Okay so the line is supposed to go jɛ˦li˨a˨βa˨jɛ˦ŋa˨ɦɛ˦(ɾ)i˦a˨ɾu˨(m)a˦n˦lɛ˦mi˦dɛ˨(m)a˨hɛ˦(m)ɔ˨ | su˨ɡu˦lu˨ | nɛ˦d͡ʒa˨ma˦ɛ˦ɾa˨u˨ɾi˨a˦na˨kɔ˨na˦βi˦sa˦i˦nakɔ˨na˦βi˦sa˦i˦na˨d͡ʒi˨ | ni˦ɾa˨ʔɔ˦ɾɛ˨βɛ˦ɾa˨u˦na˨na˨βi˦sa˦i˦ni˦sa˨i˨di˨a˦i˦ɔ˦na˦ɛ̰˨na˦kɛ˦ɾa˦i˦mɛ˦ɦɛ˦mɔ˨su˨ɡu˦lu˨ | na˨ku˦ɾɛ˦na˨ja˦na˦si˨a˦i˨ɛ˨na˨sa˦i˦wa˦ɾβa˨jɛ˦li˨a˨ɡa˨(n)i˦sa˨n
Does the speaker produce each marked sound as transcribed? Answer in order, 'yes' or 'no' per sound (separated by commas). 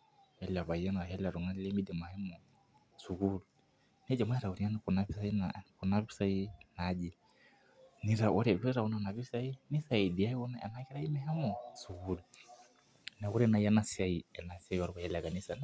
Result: no, no, yes, yes, yes